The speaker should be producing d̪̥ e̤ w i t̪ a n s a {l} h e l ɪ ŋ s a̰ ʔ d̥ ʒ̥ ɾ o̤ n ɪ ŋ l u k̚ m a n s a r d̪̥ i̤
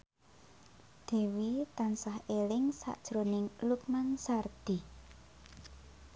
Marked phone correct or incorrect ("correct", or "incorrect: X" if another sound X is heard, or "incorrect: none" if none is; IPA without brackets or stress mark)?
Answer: incorrect: none